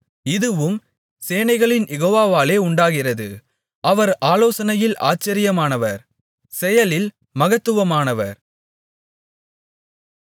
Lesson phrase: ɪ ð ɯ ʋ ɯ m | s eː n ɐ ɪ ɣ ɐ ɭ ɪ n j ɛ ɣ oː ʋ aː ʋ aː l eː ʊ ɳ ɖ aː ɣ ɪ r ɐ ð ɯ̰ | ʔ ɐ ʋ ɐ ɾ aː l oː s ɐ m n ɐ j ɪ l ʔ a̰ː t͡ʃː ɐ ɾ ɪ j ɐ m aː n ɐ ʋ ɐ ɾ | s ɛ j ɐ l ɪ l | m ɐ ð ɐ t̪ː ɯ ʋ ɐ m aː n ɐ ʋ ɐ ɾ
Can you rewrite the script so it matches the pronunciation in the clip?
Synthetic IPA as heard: ɪ ð ɯ ʋ ɯ m | s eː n ɐ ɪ ɣ ɐ ɭ ɪ n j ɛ ɣ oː ʋ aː ʋ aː l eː ʊ ɳ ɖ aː ɣ ɪ r ɐ ð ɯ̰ | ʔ ɐ ʋ ɐ ɾ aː l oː s ɐ n ɐ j ɪ l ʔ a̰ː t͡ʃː ɐ ɾ ɪ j ɐ m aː n ɐ ʋ ɐ ɾ | s ɛ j ɐ l ɪ l | m ɐ ɣ ɐ t̪ː ɯ ʋ ɐ m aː n ɐ ʋ ɐ ɾ

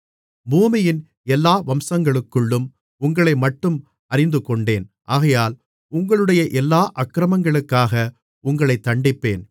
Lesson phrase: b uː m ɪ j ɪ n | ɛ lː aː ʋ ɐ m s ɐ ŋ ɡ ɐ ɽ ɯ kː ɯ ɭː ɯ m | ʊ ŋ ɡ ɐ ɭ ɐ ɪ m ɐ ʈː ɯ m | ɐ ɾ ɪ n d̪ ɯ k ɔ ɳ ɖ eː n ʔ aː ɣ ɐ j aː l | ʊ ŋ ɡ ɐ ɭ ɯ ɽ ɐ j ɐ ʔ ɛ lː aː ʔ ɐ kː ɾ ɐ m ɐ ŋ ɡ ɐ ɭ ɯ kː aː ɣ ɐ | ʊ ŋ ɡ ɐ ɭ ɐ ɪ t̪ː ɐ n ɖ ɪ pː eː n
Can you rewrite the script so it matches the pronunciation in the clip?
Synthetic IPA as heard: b uː m ɪ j ɪ n | ɛ lː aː ʋ ɐ m s ɐ ŋ ɡ ɐ ɭ ɯ kː ɯ ɭː ɯ m | ʊ ŋ ɡ ɐ ɭ ɐ ɪ m ɐ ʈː ɯ m | ɐ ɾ ɪ n d̪ ɯ k ɔ ɳ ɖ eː n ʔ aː ɣ ɐ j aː l | ʊ ŋ ɡ ɐ ɭ ɯ ɽ ɐ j ɐ ʔ ɛ lː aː ʔ ɐ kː ɾ ɐ m ɐ ŋ ɡ ɐ ɭ ɯ kː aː ɣ ɐ | ʊ ŋ ɡ ɐ ɭ ɐ ɪ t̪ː ɐ ɳ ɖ ɪ pː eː n

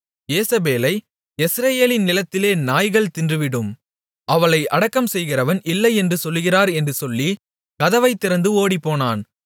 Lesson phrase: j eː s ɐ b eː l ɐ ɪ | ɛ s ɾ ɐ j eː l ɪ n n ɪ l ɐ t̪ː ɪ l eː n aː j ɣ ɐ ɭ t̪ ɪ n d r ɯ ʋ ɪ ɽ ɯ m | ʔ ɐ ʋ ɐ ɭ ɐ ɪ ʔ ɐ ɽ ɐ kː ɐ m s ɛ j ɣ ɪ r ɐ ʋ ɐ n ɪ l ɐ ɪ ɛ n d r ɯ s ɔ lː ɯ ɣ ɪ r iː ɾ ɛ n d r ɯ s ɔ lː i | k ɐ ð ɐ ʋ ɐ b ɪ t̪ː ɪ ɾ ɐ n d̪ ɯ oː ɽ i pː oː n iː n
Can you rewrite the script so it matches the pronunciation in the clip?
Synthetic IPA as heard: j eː s ɐ b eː l ɐ ɪ | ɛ s ɾ ɐ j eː l ɪ n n ɪ l ɐ t̪ː ɪ l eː n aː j ɣ ɐ ɭ t̪ ɪ n d r ɯ ʋ ɪ ɽ ɯ m | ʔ ɐ ʋ ɐ ɭ ɐ ɪ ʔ ɐ ɽ ɐ kː ɐ m s ɛ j ɣ ɪ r ɐ ʋ ɐ n ɪ lː ɐ ɪ ɛ n d r ɯ s ɔ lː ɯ ɣ ɪ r aː ɾ ɛ n d r ɯ s ɔ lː i | k ɐ ð ɐ ʋ ɐ ɪ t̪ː ɪ ɾ ɐ n d̪ ɯ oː ɽ i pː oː n aː n

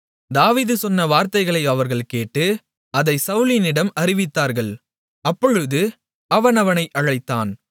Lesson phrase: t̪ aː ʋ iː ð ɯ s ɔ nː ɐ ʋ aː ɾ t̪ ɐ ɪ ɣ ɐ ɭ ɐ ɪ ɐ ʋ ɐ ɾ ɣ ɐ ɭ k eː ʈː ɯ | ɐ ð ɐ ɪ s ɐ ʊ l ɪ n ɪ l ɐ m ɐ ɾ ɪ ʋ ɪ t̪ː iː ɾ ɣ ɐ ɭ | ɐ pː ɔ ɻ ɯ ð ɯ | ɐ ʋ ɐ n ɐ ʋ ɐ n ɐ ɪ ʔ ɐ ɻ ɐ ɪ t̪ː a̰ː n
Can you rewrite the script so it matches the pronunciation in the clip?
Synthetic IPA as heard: d̪ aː ʋ iː ð ɯ s ɔ nː ɐ ʋ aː ɾ t̪ ɐ ɪ ɣ ɐ ɭ ɐ ɪ ɐ ʋ ɐ ɾ ɣ ɐ ɭ k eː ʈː ɯ | ɐ ð ɐ ɪ s ɐ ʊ l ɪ n ɪ ɽ ɐ m ɐ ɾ ɪ ʋ ɪ t̪ː aː ɾ ɣ ɐ ɭ | ɐ pː ɔ ɻ ɯ ð ɯ | ɐ ʋ ɐ n ɐ ʋ ɐ n ɐ ɪ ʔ ɐ ɻ ɐ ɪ t̪ː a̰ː n

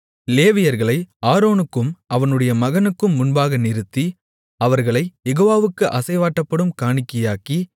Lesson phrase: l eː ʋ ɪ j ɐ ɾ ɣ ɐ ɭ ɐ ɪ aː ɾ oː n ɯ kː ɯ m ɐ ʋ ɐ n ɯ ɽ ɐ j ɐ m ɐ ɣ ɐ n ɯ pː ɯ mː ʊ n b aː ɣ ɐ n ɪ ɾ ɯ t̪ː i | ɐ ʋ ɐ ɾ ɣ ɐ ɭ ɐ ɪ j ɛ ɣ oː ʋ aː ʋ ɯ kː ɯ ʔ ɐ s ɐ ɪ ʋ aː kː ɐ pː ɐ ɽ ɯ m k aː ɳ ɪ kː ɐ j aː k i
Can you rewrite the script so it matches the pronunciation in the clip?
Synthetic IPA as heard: l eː ʋ ɪ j ɐ ɾ ɣ ɐ ɭ ɐ ɪ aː ɾ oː n ɯ kː ɯ m ɐ ʋ ɐ n ɯ ɽ ɐ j ɐ m ɐ ɣ ɐ n ɯ kː ɯ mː ʊ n b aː ɣ ɐ n ɪ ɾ ɯ t̪ː i | ɐ ʋ ɐ ɾ ɣ ɐ ɭ ɐ ɪ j ɛ ɣ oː ʋ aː ʋ ɯ kː ɯ ʔ ɐ s ɐ ɪ ʋ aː ʈː ɐ pː ɐ ɽ ɯ m k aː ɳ ɪ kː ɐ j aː k i

